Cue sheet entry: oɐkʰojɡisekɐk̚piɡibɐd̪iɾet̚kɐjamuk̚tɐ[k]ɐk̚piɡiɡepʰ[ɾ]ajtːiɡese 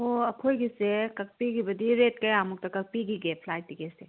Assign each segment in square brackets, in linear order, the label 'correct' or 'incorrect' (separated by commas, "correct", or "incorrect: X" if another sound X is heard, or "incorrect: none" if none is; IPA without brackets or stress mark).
correct, incorrect: l